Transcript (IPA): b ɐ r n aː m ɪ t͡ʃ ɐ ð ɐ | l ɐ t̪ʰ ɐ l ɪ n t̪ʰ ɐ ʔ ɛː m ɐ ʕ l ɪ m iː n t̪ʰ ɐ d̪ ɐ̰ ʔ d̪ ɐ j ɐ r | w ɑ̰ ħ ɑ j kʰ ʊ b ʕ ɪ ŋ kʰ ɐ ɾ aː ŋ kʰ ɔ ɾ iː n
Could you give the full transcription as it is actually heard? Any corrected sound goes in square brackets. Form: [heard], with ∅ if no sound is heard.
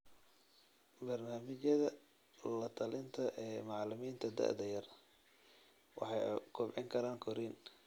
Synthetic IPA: b ɐ r n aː m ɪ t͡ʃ ɐ ð ɐ | l ɐ t̪ʰ ɐ l ɪ n t̪ʰ ɐ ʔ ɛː m [ɑ] ʕ l ɪ m iː n t̪ʰ ɐ d̪ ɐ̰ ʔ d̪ ɐ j ɐ r | w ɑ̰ ħ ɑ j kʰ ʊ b ʕ ɪ ŋ kʰ ɐ ɾ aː ŋ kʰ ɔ ɾ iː n